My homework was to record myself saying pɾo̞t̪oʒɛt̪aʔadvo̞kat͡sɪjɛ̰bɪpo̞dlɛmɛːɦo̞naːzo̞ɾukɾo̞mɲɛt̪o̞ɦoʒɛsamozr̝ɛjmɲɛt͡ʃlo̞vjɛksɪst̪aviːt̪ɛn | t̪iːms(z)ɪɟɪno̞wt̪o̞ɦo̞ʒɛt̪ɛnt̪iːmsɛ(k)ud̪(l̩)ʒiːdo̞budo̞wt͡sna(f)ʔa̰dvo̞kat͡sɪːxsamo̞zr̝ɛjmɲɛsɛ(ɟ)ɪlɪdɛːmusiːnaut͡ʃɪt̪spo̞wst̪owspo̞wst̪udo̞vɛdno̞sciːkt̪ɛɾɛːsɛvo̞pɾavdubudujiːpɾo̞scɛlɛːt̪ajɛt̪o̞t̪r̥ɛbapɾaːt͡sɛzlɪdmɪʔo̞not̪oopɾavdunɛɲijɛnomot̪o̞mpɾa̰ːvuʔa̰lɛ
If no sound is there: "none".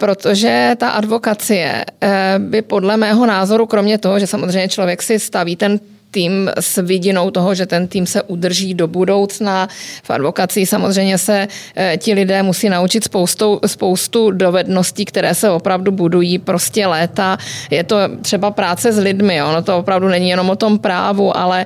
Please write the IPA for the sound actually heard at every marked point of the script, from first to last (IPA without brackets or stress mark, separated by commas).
v, ʔ, r̩, f, c